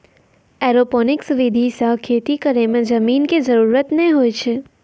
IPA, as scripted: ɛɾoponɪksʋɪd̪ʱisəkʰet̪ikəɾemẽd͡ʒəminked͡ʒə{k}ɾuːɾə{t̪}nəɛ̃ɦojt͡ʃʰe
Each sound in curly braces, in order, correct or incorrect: incorrect, correct

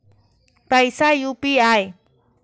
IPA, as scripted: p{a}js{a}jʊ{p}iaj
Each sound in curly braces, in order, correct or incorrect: correct, correct, correct

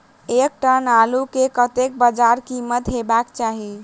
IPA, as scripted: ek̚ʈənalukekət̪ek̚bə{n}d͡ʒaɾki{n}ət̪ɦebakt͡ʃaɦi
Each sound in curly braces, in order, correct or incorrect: incorrect, incorrect

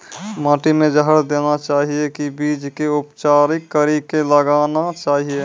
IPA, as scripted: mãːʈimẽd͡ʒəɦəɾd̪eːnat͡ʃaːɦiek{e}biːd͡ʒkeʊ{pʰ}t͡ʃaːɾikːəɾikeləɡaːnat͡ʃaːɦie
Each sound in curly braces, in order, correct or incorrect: incorrect, incorrect

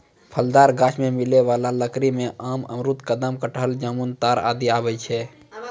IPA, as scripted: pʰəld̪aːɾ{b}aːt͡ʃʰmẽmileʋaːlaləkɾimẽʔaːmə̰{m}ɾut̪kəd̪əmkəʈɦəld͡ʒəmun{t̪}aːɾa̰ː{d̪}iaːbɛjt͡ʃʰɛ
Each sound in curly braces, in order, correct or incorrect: incorrect, correct, correct, correct

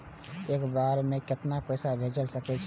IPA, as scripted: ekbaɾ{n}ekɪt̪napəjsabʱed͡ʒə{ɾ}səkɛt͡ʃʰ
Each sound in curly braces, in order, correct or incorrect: incorrect, incorrect

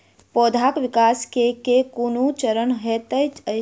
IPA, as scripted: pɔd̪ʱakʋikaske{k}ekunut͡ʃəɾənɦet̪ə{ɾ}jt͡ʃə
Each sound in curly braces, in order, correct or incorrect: correct, incorrect

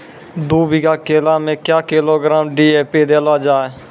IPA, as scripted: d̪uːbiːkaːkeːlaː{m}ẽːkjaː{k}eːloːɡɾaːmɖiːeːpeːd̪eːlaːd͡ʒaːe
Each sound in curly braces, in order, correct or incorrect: correct, correct

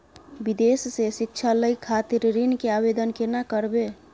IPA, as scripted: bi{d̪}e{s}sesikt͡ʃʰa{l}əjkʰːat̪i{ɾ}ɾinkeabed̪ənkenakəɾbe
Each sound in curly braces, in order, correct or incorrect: correct, correct, correct, correct

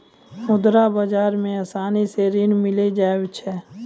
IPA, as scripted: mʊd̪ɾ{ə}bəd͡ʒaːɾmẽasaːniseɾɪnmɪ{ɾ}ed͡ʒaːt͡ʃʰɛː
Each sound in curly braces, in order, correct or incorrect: incorrect, incorrect

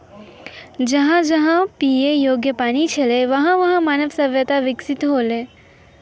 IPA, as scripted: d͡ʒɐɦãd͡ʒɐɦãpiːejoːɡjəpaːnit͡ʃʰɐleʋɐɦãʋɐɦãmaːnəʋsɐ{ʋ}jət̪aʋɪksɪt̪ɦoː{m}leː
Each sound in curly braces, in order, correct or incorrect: correct, incorrect

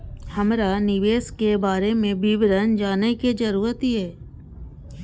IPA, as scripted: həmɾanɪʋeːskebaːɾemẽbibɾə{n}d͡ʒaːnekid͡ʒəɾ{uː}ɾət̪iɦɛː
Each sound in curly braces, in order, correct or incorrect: correct, correct

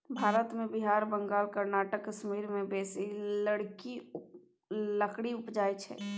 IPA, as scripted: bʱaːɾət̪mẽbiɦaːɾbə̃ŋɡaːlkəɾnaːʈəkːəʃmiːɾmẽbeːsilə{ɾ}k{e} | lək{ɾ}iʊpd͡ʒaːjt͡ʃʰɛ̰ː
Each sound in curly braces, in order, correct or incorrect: incorrect, incorrect, incorrect

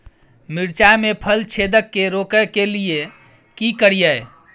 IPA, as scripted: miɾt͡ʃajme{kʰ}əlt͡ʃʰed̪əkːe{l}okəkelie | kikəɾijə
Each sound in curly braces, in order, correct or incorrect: incorrect, incorrect

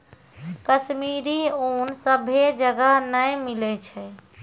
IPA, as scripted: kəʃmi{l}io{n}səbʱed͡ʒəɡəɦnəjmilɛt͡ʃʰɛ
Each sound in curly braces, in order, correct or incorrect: incorrect, correct

